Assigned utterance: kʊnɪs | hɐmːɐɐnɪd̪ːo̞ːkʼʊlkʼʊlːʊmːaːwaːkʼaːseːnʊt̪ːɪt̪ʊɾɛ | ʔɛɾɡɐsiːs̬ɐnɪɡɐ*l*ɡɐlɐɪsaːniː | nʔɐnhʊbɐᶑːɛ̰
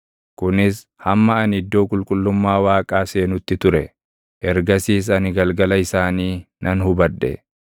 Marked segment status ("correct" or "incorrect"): correct